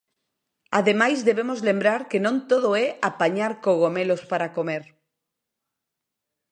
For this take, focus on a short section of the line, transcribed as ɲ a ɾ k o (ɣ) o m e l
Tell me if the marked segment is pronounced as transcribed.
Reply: yes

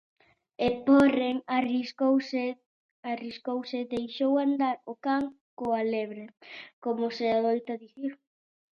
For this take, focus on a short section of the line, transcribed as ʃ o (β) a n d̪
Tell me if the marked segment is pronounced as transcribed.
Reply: no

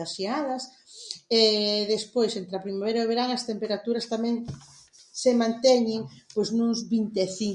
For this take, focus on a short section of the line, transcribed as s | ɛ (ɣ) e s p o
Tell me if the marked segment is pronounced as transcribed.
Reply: no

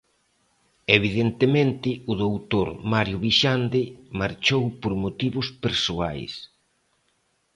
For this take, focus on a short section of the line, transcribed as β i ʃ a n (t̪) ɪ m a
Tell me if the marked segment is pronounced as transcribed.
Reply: no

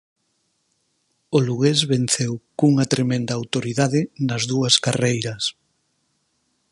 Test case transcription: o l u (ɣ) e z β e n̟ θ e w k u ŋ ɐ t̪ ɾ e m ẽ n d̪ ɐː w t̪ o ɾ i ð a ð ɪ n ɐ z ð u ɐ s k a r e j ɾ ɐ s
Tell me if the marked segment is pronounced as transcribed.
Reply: yes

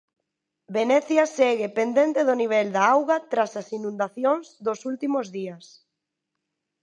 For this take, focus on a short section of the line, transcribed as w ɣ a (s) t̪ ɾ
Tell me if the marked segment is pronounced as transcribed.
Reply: no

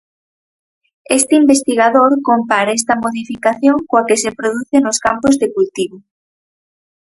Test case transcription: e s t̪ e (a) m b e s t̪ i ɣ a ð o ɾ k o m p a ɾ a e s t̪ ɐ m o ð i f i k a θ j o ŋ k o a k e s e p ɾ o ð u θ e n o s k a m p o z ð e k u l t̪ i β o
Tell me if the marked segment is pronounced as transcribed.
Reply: no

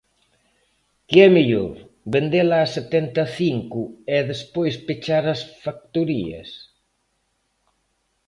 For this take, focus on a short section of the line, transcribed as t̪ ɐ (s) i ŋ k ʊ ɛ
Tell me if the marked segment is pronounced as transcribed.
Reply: no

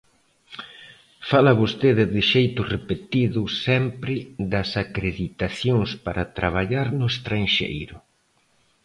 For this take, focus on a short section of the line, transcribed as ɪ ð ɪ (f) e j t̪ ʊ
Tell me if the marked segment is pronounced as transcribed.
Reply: no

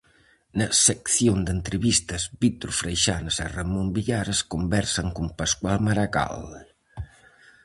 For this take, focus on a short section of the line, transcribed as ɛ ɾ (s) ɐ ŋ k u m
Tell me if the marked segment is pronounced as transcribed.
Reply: yes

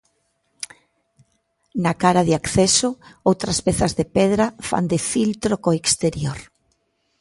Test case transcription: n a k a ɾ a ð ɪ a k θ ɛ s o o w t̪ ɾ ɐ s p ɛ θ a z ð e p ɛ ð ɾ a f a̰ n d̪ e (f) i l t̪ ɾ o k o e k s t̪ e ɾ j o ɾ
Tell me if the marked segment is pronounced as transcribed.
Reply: yes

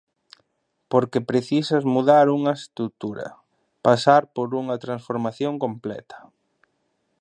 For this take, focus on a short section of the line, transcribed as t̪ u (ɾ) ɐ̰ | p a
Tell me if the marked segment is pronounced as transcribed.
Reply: yes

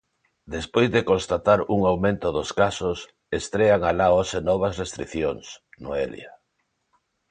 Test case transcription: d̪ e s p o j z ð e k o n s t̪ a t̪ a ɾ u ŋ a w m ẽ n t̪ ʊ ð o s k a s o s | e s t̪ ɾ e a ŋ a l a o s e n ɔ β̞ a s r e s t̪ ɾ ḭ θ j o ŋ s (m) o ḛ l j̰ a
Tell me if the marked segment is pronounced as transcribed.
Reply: no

